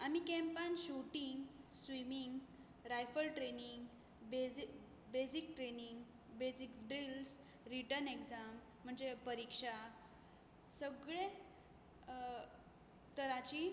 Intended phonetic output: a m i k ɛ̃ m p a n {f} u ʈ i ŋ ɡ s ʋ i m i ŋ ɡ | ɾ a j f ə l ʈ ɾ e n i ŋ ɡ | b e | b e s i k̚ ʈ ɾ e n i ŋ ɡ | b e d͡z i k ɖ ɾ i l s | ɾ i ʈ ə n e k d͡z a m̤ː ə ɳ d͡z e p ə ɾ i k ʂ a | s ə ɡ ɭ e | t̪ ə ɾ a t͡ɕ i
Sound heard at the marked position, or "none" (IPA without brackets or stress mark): ɕ